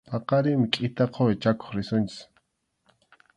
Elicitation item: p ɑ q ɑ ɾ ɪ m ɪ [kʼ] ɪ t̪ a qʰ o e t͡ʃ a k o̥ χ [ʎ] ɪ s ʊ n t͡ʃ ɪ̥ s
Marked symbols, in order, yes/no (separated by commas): yes, no